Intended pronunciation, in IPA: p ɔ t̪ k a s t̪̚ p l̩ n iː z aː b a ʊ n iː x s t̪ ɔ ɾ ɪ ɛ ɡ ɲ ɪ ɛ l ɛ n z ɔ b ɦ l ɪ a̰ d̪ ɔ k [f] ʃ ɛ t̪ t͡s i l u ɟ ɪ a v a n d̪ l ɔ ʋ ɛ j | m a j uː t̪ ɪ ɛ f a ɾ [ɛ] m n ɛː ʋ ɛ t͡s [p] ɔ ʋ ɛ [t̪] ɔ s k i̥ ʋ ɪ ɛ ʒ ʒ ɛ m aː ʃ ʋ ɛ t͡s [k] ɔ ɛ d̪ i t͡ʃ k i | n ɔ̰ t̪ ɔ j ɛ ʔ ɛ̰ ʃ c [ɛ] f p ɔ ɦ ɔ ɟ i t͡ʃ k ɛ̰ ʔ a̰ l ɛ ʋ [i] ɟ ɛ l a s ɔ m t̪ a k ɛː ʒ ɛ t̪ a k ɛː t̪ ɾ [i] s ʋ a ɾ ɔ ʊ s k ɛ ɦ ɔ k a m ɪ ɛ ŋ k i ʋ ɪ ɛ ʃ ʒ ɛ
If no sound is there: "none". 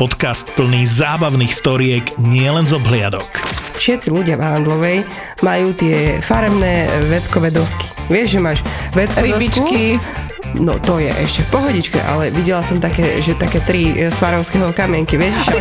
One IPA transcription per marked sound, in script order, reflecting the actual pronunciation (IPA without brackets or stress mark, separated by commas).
f, ɛ, k, d̪, k, ɛ, i, i